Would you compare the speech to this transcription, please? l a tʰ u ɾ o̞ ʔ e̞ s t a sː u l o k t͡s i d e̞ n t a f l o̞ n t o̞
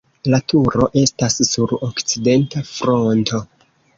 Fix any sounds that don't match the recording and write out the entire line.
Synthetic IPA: l a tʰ u ɾ o̞ ʔ e̞ s t a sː u ɾ o k t͡s i d e̞ n t a f ɾ o̞ n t o̞